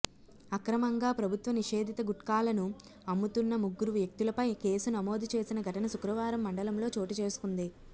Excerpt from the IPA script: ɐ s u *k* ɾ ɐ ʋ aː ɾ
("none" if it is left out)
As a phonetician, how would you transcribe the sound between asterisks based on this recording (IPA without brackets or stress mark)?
k